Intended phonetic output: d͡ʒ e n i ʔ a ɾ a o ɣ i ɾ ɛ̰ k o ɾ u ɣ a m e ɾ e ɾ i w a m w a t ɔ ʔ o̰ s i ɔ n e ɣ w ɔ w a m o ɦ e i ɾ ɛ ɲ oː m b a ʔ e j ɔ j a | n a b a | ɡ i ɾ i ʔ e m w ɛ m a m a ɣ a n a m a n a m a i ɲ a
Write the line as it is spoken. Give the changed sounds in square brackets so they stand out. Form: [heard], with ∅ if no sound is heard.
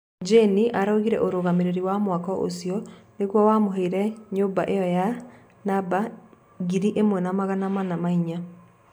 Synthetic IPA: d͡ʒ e n i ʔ a ɾ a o ɣ i ɾ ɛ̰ [ʔ] o ɾ [o] ɣ a m e ɾ e ɾ i w a m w a [k] ɔ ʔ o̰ s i ɔ n e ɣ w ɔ w a m o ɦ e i ɾ ɛ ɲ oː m b a ʔ e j ɔ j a | n a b a | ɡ i ɾ i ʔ e m w ɛ [n] a m a ɣ a n a m a n a m a i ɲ a